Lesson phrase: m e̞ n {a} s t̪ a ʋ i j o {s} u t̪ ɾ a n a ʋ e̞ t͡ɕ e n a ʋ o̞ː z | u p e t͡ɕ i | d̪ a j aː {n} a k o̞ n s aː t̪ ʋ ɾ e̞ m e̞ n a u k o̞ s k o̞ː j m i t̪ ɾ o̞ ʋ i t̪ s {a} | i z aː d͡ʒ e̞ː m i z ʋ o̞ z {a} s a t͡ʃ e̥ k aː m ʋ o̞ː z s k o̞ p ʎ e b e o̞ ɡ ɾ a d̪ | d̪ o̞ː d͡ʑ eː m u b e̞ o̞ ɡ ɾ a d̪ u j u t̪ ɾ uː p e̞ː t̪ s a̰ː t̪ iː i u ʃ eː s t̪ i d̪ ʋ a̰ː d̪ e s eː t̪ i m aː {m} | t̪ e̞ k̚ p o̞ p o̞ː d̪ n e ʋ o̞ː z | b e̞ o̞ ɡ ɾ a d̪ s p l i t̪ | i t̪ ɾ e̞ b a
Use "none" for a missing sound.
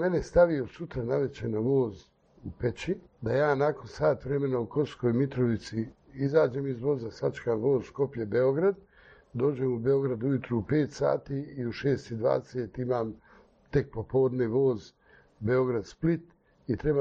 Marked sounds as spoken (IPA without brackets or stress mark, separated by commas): e, s, n, i, a, m